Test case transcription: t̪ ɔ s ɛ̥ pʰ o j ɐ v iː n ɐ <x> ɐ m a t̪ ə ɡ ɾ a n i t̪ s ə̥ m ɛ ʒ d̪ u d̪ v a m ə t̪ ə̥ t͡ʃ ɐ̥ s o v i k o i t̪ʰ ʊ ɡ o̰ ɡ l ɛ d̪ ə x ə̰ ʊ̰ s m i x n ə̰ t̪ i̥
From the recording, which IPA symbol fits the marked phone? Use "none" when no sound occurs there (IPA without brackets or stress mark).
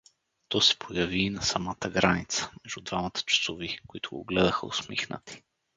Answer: s